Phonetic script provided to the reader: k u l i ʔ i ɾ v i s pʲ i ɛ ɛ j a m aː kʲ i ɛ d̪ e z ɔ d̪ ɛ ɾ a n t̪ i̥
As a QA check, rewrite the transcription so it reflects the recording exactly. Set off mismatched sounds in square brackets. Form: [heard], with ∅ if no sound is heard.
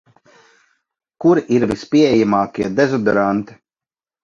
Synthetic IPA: k u [ɾ] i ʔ i ɾ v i s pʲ i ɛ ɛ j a m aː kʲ i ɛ d̪ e z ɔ d̪ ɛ ɾ a n t̪ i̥